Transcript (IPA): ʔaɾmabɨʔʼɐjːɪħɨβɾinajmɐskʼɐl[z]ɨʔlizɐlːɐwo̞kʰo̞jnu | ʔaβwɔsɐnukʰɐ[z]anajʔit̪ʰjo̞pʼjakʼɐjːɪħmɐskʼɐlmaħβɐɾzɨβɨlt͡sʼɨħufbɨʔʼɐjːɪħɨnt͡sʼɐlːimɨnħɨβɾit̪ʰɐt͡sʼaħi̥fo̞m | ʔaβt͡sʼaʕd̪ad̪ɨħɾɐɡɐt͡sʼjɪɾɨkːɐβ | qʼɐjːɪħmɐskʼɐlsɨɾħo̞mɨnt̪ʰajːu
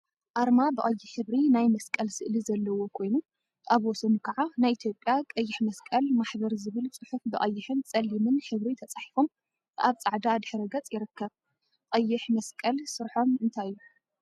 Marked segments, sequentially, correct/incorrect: incorrect: s, incorrect: ʕ

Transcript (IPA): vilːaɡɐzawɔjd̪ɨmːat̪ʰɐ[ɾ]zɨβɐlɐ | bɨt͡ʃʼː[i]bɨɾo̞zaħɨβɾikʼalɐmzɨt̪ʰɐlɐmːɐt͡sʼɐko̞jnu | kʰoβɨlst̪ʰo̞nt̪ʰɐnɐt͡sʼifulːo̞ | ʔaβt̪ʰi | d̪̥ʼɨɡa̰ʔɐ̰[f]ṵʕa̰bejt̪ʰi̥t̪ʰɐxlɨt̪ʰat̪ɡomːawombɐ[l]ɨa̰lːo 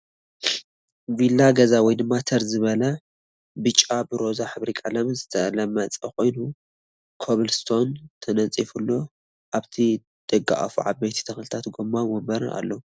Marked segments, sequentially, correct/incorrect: correct, incorrect: a, correct, incorrect: ɾ

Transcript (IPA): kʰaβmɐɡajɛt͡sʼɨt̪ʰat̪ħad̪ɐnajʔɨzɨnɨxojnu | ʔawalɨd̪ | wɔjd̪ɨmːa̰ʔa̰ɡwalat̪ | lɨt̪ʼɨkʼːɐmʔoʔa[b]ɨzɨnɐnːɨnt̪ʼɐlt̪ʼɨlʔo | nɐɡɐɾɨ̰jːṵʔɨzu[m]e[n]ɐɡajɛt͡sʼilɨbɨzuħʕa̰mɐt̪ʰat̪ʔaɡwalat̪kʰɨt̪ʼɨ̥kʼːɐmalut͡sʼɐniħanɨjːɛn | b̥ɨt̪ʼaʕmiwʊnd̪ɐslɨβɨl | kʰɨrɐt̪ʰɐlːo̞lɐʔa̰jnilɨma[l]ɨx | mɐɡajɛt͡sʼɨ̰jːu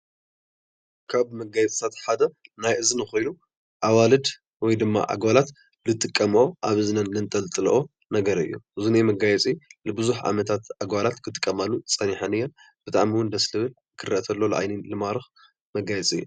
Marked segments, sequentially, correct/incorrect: incorrect: β, incorrect: n, incorrect: m, incorrect: ɾ

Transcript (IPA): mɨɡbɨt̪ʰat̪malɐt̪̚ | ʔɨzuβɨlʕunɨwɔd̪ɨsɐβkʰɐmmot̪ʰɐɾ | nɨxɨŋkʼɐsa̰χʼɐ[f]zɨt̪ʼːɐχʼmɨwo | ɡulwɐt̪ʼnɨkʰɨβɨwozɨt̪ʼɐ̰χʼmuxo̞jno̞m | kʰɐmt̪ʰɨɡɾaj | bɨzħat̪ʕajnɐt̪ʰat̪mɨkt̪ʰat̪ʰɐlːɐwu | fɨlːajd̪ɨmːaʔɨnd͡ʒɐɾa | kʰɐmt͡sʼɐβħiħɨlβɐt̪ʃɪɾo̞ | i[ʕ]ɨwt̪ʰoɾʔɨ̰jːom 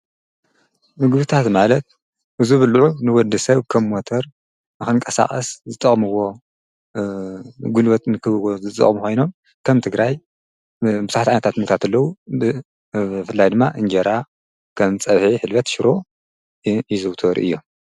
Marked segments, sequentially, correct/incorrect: incorrect: s, incorrect: z

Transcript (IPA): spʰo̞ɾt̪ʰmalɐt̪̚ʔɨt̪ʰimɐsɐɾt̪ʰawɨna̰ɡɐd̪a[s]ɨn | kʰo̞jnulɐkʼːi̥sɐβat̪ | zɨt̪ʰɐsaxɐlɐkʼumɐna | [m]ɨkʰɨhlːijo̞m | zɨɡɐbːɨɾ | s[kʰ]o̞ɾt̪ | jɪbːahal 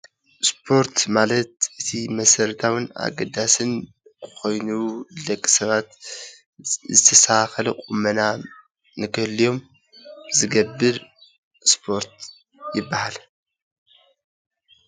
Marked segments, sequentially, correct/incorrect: correct, incorrect: n, incorrect: pʰ

